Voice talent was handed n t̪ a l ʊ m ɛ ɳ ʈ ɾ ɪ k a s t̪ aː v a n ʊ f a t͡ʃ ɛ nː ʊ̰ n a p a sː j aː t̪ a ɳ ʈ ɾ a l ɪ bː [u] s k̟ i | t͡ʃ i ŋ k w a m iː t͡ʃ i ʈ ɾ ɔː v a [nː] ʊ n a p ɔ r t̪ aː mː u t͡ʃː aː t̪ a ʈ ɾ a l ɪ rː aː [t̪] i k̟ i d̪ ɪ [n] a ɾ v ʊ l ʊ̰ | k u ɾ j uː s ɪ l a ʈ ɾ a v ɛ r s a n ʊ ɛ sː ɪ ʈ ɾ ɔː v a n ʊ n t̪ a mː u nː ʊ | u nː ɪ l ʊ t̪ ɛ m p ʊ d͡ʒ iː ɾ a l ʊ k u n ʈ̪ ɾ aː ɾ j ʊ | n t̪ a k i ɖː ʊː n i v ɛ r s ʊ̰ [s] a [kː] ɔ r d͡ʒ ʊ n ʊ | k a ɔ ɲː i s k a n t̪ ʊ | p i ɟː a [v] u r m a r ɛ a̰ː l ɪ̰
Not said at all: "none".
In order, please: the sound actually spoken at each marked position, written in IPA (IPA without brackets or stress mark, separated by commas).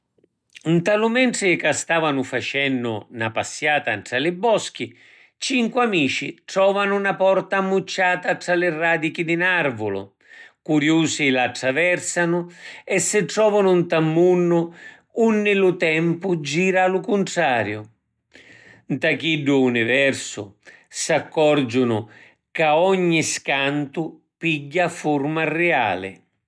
ɔ, n, d̪, n, s, kː, f